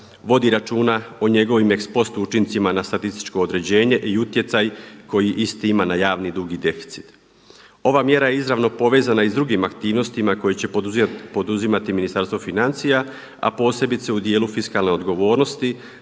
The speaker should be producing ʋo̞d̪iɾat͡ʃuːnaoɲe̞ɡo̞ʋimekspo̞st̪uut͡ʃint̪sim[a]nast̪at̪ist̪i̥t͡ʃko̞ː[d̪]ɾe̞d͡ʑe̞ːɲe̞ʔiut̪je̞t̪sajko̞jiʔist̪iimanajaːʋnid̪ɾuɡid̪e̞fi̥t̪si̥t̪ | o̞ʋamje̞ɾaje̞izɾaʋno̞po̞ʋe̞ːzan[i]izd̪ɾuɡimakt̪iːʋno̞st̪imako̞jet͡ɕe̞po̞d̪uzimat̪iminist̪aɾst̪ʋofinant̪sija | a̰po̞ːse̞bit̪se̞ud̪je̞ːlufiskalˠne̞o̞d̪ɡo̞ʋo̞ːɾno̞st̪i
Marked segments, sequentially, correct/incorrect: correct, correct, incorrect: a

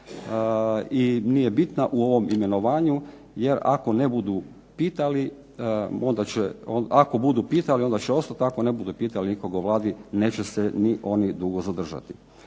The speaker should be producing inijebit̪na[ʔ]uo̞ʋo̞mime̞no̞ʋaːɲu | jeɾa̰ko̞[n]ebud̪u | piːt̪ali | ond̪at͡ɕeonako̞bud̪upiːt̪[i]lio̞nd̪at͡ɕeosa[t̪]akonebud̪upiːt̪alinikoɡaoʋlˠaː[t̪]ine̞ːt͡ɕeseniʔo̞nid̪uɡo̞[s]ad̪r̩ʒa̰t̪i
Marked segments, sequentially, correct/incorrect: correct, correct, incorrect: a, correct, incorrect: d̪, incorrect: z

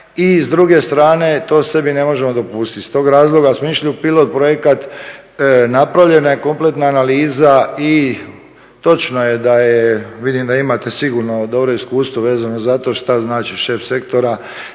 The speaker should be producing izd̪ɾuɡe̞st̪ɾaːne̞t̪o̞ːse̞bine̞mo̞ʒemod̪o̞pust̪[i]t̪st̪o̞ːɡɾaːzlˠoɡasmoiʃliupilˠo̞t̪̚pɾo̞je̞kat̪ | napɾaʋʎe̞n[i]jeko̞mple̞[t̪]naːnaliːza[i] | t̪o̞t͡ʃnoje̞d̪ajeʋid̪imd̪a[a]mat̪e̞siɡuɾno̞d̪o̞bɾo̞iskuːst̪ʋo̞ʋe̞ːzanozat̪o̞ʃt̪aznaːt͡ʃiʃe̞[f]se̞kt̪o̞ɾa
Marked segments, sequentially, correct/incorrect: correct, incorrect: a, correct, correct, incorrect: i, correct

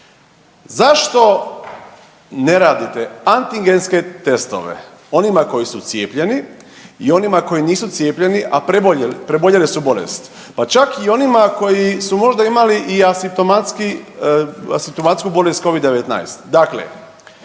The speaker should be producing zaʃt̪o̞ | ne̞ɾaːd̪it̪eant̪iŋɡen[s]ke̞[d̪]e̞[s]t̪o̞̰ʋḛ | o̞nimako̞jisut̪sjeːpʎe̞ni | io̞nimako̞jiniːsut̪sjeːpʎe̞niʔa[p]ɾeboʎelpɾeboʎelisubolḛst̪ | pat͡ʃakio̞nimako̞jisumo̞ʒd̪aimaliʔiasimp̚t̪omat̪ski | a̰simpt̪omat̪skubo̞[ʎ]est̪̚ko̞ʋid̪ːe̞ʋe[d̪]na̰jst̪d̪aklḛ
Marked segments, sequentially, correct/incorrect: correct, incorrect: t̪, correct, correct, incorrect: l, incorrect: t̪

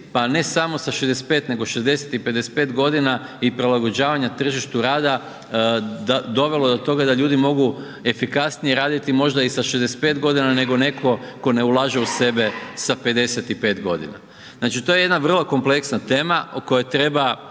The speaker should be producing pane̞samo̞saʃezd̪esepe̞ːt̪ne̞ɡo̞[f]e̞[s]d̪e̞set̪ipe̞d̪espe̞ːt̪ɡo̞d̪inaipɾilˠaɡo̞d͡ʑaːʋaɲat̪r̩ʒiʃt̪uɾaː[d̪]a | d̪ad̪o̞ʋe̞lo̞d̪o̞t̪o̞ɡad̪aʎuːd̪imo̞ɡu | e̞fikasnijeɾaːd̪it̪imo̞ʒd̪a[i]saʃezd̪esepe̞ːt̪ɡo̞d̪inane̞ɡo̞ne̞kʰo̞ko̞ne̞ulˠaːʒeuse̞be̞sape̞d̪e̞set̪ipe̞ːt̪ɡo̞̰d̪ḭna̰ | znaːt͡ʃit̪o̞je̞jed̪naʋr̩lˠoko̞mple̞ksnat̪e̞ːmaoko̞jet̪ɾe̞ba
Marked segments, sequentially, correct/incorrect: incorrect: ʃ, incorrect: z, correct, correct

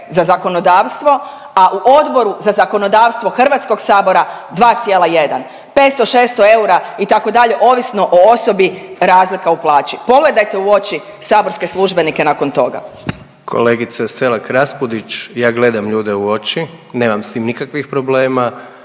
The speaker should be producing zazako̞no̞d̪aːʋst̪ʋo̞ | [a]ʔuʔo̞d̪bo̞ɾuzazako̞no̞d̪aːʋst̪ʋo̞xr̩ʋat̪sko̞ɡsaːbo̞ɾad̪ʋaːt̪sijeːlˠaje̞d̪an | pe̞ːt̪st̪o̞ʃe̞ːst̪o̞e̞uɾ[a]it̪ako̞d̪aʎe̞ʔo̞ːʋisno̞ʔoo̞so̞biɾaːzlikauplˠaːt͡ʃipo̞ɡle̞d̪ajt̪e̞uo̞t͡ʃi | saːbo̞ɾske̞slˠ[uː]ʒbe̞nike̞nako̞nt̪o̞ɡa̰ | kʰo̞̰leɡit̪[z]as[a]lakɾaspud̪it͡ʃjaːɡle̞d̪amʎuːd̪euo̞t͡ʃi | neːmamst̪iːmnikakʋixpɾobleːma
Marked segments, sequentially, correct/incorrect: correct, correct, incorrect: u, incorrect: s, incorrect: e

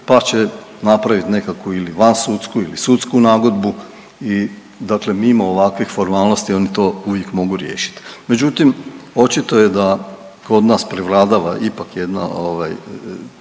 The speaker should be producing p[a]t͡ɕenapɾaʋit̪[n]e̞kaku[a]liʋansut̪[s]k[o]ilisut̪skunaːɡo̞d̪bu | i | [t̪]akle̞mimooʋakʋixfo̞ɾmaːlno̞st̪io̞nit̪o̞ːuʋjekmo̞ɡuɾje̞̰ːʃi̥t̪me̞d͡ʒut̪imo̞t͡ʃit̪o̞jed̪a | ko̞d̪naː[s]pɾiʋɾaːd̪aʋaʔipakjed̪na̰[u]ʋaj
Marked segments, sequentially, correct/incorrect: correct, correct, incorrect: i, correct, incorrect: u, incorrect: d̪, correct, incorrect: o

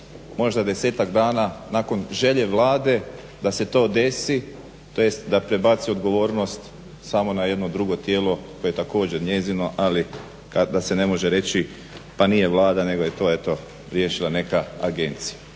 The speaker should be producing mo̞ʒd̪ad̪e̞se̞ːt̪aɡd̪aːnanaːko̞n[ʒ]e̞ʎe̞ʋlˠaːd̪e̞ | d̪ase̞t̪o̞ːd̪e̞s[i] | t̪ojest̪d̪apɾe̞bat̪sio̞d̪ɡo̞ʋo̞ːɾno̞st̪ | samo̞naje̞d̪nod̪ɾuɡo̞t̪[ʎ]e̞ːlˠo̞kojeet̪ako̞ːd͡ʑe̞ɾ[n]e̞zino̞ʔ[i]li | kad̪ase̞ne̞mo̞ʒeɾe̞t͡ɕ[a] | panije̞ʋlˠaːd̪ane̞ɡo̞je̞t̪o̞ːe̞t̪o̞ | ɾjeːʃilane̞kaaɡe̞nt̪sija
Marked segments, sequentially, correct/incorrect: correct, correct, incorrect: j, incorrect: ɲ, incorrect: a, incorrect: i

